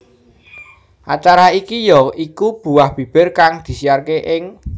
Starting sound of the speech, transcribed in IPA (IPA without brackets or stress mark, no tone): ʔ